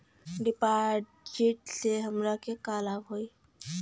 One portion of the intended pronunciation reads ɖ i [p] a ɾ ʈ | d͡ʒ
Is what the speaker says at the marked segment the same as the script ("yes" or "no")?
yes